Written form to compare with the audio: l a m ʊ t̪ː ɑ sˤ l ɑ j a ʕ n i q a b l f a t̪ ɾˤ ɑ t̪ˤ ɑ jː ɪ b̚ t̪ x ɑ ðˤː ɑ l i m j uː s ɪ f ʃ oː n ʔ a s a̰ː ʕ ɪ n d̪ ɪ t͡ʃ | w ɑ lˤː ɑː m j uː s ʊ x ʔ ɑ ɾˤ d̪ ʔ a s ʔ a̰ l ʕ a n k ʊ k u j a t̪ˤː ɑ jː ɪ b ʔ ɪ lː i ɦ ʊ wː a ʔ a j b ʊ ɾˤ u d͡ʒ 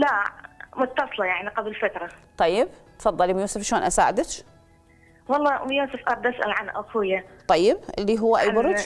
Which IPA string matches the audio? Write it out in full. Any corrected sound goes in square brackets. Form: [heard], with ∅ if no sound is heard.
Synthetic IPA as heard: l a m ʊ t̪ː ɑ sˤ l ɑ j a ʕ n i q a b l f a t̪ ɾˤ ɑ t̪ˤ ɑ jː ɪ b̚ t̪ [f] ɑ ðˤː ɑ l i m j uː s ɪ f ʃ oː n ʔ a s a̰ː ʕ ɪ [∅] d̪ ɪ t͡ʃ | w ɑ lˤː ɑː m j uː s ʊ [f] ʔ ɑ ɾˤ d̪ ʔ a s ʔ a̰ l ʕ a n [ʔ] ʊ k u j a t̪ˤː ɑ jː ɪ b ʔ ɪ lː i ɦ ʊ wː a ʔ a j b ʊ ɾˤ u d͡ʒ